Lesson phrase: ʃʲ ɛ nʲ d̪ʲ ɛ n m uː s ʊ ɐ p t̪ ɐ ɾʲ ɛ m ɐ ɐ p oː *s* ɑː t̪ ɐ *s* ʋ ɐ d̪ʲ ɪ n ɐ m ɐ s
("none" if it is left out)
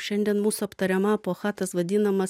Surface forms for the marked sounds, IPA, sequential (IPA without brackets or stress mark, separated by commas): x, s